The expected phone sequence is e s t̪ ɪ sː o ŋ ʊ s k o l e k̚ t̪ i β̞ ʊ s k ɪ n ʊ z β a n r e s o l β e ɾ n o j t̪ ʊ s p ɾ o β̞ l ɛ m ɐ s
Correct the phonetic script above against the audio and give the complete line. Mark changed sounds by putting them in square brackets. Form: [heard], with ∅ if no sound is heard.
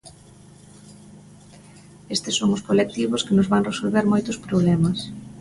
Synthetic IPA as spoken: e s t̪ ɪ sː o ŋ ʊ s k o l e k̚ t̪ i β̞ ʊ s k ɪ n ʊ z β a [ŋ] r e s o l β e ɾ [m] o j t̪ ʊ s p ɾ o β̞ l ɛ m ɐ s